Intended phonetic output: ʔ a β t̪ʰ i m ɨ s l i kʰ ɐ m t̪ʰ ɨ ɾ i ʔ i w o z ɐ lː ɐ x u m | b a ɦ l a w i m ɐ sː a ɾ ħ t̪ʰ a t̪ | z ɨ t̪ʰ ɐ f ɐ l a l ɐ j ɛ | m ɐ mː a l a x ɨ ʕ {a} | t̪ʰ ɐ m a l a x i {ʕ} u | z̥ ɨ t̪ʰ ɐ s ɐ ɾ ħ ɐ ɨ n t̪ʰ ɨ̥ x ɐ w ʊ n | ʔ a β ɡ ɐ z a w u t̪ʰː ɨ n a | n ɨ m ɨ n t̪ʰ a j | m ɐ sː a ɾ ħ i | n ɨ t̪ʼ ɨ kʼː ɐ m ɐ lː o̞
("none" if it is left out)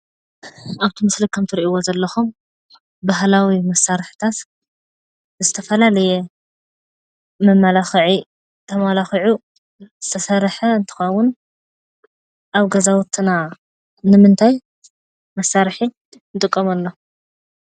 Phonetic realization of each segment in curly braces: i, ʕ

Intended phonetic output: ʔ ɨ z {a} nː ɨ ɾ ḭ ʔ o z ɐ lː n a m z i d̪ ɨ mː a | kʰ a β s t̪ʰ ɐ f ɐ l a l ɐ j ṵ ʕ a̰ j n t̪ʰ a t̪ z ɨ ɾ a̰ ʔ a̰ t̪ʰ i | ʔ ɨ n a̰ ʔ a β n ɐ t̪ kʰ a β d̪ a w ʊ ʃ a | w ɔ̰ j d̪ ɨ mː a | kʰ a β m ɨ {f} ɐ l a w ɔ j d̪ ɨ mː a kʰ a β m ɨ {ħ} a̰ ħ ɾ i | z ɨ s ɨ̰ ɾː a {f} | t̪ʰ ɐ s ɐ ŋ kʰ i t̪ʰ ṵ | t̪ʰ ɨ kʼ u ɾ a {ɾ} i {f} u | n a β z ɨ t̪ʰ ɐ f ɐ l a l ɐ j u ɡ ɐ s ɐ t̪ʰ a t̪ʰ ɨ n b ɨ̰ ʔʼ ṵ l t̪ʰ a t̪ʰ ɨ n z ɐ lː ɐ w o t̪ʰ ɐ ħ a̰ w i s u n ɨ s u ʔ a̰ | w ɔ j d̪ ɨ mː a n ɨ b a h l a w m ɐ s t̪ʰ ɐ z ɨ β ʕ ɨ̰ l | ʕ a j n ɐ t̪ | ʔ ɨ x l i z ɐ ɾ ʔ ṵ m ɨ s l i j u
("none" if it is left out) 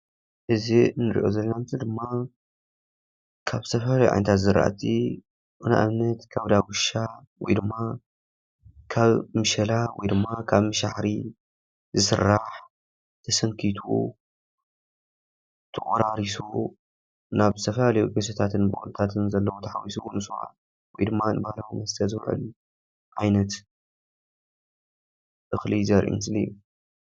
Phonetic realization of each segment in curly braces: i, ʃ, ʃ, ħ, ɾ, s

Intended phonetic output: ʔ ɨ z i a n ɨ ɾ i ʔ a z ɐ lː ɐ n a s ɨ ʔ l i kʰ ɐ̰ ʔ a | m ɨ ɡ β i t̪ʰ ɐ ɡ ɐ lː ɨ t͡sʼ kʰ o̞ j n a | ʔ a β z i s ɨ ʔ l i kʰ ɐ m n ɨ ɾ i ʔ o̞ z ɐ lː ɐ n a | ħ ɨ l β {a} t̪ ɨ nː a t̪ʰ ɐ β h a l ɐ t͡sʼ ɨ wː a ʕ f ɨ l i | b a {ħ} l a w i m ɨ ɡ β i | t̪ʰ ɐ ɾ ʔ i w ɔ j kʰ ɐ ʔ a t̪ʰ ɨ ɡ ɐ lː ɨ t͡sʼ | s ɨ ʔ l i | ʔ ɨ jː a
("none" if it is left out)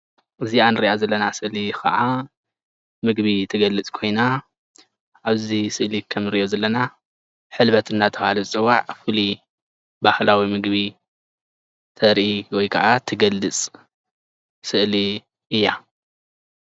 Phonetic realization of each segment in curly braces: ɐ, h

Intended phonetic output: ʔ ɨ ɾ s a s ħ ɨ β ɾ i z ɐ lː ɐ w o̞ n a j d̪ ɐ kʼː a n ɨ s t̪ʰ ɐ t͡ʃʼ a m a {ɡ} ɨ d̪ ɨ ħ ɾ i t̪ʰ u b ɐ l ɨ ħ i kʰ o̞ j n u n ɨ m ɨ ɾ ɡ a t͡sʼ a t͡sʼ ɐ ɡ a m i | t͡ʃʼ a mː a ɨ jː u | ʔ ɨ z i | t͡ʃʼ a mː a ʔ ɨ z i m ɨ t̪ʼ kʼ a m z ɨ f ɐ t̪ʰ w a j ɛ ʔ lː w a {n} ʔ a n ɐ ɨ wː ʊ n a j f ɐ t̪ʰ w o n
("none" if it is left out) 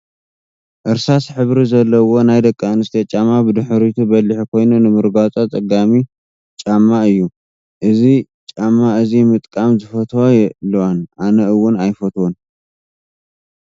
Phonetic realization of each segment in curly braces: b, n

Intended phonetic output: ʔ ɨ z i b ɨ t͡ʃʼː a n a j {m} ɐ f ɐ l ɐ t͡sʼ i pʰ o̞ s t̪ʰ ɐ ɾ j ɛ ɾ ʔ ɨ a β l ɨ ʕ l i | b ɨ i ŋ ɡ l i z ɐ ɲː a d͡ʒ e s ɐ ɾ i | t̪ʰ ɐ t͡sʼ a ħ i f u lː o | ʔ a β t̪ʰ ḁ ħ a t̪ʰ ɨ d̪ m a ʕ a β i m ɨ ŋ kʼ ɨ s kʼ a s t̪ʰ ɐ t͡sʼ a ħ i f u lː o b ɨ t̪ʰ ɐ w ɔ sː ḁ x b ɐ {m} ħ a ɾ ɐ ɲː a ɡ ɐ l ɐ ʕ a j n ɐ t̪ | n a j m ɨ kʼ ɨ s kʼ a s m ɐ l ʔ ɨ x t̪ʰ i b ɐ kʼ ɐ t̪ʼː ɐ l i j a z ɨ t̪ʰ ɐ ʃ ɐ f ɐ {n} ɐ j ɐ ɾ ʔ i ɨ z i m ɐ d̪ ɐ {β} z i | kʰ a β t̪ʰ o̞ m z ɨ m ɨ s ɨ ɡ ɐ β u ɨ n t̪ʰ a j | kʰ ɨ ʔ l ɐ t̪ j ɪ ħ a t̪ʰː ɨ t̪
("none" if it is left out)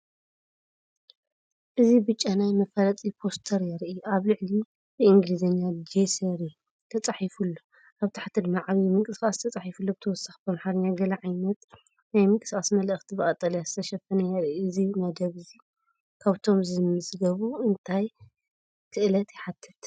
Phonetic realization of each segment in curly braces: m, m, n, β

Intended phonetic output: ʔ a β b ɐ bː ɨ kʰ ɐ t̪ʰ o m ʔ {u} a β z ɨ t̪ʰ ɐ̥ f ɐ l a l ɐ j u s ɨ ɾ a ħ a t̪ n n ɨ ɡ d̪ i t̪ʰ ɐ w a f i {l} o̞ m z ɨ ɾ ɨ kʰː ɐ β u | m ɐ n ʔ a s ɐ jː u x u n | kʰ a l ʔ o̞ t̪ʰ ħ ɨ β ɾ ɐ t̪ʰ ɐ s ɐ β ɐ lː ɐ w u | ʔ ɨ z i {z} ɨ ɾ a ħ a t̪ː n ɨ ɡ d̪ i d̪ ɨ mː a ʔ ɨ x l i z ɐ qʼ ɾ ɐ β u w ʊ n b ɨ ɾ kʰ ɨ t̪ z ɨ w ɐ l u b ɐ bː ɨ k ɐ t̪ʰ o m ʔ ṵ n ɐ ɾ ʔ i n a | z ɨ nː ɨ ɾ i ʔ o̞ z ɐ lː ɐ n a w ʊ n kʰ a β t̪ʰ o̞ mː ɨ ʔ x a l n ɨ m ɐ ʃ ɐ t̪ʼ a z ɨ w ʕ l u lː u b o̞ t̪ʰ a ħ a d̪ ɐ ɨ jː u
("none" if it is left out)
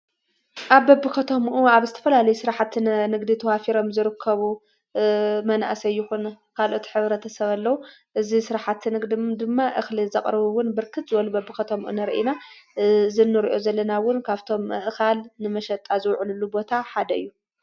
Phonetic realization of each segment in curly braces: u, ɾ, s

